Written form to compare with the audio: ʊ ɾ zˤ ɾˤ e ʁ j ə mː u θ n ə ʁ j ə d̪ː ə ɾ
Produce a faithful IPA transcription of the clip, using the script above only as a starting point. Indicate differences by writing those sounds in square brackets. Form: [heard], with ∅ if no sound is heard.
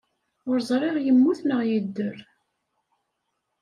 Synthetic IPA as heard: ʊ ɾ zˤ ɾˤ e ʁ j ə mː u θ n ə ʁ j ə d̪ː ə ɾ